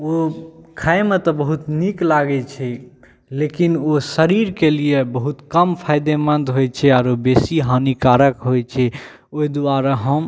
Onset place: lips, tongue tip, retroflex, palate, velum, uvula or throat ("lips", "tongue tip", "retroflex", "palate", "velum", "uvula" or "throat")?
velum